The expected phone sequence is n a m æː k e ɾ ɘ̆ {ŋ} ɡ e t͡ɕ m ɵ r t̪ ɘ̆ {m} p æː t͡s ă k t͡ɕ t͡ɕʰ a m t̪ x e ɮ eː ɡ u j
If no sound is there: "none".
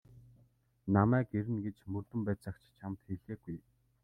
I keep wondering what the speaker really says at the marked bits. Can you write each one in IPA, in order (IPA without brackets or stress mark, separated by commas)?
n, m